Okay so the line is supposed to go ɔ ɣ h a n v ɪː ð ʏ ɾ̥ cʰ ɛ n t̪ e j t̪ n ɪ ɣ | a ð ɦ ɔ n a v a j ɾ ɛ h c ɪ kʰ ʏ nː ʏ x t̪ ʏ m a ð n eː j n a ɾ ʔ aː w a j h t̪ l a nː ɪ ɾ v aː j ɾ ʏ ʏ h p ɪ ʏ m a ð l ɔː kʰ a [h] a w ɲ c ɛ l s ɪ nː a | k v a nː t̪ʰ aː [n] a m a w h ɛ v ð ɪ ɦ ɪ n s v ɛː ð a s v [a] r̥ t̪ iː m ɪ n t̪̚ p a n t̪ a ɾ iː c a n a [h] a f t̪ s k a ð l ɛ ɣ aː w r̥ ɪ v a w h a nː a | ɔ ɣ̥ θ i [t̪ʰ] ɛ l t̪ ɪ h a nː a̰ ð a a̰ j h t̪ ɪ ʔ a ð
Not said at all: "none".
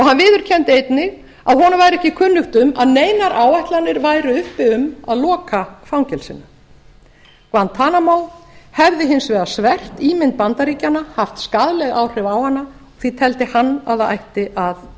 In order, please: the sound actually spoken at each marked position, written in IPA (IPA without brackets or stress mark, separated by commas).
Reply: f, n, ɛ, h, t̪ʰ